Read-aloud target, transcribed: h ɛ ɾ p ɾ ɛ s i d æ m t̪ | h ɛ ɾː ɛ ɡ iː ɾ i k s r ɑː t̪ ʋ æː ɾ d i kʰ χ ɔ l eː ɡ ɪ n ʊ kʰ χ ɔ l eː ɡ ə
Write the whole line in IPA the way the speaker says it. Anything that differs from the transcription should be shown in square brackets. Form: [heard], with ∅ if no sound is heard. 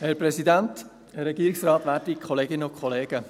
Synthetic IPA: h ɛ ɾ p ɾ ɛ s i d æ [n] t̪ | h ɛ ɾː ɛ ɡ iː ɾ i k s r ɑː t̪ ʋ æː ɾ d i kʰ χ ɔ l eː ɡ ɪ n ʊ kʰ χ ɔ l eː ɡ ə